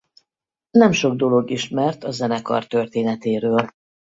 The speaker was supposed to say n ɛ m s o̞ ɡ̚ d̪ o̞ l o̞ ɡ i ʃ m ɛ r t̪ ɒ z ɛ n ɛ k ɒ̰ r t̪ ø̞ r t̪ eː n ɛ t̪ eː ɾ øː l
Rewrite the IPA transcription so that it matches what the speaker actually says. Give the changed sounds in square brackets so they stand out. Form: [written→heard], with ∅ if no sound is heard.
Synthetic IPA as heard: n ɛ m [s→ʃ] o̞ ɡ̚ d̪ o̞ l o̞ ɡ i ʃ m ɛ r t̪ ɒ z ɛ n ɛ k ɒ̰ r t̪ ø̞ r t̪ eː n ɛ t̪ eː ɾ øː l

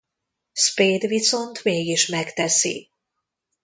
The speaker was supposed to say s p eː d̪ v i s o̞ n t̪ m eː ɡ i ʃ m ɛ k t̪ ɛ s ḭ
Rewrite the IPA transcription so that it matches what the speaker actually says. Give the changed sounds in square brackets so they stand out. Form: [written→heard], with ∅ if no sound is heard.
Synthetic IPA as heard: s p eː d̪ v i s o̞ n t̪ m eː ɡ i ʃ m ɛ k t̪ ɛ s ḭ

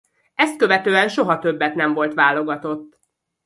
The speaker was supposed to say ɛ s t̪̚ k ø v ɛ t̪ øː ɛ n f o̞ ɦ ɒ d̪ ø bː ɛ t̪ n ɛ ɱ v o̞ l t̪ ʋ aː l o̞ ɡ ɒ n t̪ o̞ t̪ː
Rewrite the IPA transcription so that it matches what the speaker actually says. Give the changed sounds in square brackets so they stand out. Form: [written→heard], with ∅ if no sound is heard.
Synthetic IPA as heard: ɛ s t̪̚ k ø v ɛ t̪ øː ɛ n [f→ʃ] o̞ ɦ ɒ [d̪→t̪] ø bː ɛ t̪ n ɛ ɱ v o̞ l t̪ ʋ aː l o̞ ɡ ɒ [n→∅] t̪ o̞ t̪ː

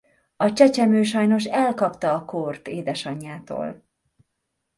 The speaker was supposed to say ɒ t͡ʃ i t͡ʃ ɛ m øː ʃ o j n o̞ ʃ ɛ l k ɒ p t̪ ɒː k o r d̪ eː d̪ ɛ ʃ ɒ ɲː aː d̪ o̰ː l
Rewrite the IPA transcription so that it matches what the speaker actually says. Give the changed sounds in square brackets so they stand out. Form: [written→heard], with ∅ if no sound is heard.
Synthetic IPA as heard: ɒ t͡ʃ [i→ɛ] t͡ʃ ɛ m øː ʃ [o→ɒ] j n o̞ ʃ ɛ l k ɒ p t̪ ɒː k o r [d̪→t̪] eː d̪ ɛ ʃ ɒ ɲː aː [d̪→t̪] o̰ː l

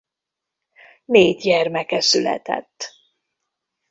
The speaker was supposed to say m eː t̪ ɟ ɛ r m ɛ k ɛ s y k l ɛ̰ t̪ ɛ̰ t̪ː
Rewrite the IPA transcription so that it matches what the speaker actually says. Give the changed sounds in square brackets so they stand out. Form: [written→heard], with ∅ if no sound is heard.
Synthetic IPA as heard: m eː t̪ ɟ ɛ r m ɛ k ɛ s y [k→∅] l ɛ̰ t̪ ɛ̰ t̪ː

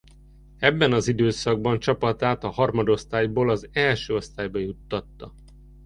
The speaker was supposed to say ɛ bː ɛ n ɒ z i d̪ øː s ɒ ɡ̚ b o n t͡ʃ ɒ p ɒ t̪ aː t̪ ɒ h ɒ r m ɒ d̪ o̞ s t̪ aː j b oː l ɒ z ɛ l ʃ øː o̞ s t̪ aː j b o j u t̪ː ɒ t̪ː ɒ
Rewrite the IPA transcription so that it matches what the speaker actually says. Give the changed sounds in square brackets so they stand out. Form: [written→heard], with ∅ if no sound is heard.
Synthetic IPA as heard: ɛ bː ɛ n ɒ z i d̪ øː s ɒ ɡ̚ b [o→ɒ] n t͡ʃ ɒ p ɒ t̪ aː t̪ ɒ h ɒ r m ɒ d̪ o̞ s t̪ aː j b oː l ɒ z ɛ l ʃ øː o̞ s t̪ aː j b [o→ɒ] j u t̪ː ɒ t̪ː ɒ

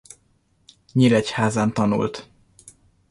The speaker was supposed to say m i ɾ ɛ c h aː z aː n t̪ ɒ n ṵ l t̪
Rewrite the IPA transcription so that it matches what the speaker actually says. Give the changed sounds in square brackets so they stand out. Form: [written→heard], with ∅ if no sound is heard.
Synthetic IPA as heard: [m→ɲ] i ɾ ɛ c h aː z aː n t̪ ɒ n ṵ l t̪

